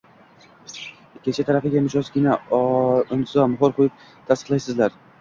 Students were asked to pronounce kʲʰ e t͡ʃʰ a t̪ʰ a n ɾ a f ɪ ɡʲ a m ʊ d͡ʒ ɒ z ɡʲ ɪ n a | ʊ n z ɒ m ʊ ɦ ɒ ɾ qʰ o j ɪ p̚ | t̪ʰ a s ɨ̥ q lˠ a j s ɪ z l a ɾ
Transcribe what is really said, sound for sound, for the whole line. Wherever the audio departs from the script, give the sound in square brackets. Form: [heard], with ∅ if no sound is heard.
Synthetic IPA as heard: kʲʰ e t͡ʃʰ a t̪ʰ a [∅] ɾ a f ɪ ɡʲ a m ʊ d͡ʒ ɒ z ɡʲ ɪ n a | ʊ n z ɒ m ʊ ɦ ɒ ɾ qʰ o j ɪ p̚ | t̪ʰ a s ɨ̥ q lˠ a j s ɪ z l a ɾ

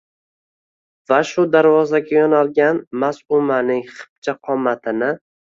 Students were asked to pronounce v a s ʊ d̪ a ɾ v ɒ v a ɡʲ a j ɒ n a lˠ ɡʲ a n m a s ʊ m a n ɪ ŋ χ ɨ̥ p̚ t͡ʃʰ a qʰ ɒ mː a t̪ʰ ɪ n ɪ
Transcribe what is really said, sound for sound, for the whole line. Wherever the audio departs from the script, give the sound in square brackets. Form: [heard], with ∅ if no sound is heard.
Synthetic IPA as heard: v a [ʃ] ʊ d̪ a ɾ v ɒ [z] a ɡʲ a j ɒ n a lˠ ɡʲ a n m a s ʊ m a n ɪ ŋ χ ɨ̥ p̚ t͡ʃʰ a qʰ ɒ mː a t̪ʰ ɪ n ɪ

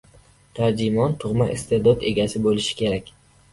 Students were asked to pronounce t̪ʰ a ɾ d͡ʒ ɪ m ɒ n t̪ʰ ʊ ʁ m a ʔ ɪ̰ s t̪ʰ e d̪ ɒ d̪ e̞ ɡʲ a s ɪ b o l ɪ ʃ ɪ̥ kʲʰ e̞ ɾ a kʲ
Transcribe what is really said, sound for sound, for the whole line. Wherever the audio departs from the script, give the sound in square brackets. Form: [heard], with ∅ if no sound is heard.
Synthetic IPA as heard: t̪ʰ a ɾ d͡ʒ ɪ m ɒ n t̪ʰ ʊ ʁ m a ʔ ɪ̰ s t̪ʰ e d̪ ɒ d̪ e̞ ɡʲ a s ɪ b o l ɪ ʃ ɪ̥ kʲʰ e̞ ɾ a kʲ

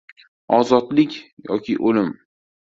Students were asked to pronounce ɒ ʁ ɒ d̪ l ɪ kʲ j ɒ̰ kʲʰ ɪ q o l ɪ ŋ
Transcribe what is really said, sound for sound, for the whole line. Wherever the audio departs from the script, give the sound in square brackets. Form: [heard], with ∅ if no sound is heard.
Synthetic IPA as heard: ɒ [z] ɒ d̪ l ɪ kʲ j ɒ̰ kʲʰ ɪ [ʔ] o l ɪ [m]

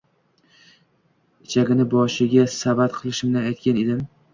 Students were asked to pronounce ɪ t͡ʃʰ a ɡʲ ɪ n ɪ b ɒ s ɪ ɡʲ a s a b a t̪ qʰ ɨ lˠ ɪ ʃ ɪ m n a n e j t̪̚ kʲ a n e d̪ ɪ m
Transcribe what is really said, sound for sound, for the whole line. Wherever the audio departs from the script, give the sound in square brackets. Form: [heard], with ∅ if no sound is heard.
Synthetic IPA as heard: ɪ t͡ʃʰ a ɡʲ ɪ n ɪ b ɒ [ʃ] ɪ ɡʲ a s a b a t̪ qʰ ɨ lˠ ɪ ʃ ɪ m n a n [a] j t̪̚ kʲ a n e d̪ ɪ m

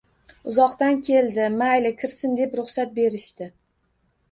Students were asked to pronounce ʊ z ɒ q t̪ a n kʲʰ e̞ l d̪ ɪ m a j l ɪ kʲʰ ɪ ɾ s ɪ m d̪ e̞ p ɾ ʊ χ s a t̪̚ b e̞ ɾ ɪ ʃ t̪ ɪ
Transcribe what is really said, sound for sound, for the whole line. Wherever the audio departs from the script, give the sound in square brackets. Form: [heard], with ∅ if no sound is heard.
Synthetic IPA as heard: ʊ z ɒ q t̪ a n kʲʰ e̞ l d̪ ɪ m a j l ɪ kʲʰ ɪ ɾ s ɪ [n] d̪ e̞ p ɾ ʊ χ s a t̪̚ b e̞ ɾ ɪ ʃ t̪ ɪ

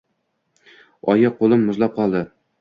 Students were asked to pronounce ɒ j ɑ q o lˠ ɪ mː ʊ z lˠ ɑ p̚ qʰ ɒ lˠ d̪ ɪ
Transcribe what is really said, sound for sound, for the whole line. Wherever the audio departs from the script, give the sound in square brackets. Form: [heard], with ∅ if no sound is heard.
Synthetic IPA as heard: ɒ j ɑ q o lˠ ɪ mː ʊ z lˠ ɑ p̚ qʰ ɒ lˠ d̪ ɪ

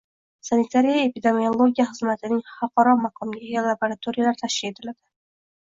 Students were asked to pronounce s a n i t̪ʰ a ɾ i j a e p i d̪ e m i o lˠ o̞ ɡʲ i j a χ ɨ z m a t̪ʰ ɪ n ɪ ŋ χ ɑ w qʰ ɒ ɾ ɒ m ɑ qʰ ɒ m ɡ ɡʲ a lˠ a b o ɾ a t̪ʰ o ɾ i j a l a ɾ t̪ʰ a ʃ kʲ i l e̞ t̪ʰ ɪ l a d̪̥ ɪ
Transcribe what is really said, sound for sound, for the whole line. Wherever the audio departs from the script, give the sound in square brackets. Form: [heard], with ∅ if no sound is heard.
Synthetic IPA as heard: s a n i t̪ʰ a ɾ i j a e p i d̪ e m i o lˠ o̞ ɡʲ i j a χ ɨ z m a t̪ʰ ɪ n ɪ ŋ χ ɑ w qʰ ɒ ɾ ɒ m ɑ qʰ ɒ m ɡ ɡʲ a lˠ a b o ɾ a t̪ʰ o ɾ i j a l a ɾ t̪ʰ a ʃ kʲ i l e̞ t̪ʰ ɪ l a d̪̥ ɪ

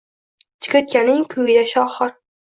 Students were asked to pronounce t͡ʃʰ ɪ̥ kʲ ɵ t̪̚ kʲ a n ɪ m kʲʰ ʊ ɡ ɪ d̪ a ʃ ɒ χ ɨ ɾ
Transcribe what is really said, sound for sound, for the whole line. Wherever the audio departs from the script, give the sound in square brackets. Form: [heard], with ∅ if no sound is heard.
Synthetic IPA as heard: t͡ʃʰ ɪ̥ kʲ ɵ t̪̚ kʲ a n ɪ [ŋ] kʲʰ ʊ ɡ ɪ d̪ a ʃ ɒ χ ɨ ɾ

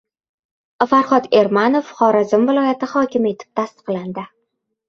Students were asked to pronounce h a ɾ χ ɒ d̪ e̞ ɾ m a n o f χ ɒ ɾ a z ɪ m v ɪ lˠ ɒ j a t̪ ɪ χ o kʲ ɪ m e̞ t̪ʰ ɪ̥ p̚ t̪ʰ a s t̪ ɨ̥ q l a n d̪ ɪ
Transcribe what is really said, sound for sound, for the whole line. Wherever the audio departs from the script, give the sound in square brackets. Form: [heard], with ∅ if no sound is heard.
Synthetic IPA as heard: [f] a ɾ χ ɒ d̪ e̞ ɾ m a n o f χ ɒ ɾ a z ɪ m v ɪ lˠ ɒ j a t̪ ɪ χ [ɒ] kʲ ɪ m e̞ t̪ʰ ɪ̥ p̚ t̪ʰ a s t̪ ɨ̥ q l a n d̪ ɪ

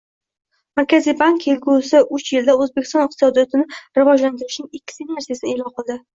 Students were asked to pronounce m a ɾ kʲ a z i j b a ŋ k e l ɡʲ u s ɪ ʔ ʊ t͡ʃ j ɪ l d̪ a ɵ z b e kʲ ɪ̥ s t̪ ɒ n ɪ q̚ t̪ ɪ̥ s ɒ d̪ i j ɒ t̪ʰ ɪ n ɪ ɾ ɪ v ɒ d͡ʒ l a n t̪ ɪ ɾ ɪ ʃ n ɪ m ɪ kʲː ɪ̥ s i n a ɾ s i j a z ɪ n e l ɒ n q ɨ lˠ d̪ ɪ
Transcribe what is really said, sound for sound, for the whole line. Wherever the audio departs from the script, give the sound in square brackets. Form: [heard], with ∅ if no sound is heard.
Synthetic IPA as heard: m a ɾ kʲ a z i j b a ŋ k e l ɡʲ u s ɪ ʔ ʊ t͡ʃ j ɪ l d̪ a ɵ z b e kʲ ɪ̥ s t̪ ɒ n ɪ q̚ t̪ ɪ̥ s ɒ d̪ i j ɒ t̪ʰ ɪ n ɪ ɾ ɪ v ɒ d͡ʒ l a n t̪ ɪ ɾ ɪ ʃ n ɪ [ŋ] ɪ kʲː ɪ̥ s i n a ɾ s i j a [s] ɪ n e l ɒ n q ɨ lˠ d̪ ɪ

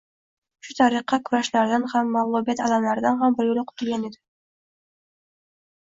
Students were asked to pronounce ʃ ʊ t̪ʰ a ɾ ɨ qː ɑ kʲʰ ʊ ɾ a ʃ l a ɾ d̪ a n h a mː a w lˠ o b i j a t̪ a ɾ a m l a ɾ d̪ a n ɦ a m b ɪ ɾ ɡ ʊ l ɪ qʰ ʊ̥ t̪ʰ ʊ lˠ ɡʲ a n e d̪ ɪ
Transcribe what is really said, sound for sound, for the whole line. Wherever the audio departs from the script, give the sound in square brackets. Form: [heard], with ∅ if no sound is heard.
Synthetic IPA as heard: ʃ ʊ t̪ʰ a ɾ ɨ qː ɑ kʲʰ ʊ ɾ a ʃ l a ɾ d̪ a n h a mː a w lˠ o b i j a t̪ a [l] a m l a ɾ d̪ a n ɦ a m b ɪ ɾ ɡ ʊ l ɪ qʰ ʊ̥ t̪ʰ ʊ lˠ ɡʲ a n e d̪ ɪ

